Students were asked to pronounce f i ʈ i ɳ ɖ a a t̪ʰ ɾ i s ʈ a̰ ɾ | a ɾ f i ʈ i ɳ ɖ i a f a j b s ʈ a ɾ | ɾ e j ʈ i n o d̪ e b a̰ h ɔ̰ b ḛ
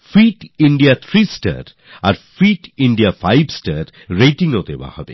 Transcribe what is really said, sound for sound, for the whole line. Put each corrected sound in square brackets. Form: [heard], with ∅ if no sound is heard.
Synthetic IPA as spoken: f i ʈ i ɳ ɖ [i] a t̪ʰ ɾ i s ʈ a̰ ɾ | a ɾ f i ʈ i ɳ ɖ i a f a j b s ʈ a ɾ | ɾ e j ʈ i [ŋ] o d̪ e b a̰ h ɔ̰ b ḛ